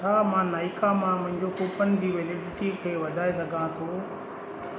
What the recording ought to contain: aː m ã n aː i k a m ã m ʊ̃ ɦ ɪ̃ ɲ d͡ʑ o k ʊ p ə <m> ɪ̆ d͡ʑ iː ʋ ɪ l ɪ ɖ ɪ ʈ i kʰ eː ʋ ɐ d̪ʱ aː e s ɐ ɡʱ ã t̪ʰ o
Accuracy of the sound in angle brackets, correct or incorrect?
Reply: incorrect